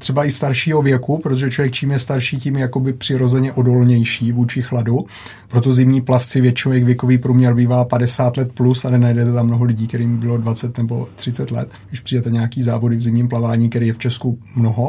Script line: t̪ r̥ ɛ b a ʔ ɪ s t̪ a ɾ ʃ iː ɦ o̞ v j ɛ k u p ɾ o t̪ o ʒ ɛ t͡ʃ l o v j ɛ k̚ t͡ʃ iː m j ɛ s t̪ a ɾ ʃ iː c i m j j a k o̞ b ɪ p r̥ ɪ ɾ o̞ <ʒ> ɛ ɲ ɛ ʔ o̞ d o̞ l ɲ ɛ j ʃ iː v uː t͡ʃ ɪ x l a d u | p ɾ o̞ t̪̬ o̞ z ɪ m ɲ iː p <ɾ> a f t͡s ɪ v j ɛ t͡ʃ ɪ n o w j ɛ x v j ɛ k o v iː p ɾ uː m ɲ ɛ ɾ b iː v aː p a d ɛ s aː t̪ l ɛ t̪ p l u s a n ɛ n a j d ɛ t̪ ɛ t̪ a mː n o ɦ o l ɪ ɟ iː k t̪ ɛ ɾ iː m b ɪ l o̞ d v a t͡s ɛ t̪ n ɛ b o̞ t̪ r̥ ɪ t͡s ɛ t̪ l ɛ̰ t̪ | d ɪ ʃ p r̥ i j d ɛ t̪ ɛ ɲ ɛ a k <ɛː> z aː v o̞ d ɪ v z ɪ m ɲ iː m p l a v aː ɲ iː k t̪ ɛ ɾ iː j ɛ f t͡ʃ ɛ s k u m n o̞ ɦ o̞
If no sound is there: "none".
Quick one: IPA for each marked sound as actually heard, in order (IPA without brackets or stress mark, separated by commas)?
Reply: z, l, iː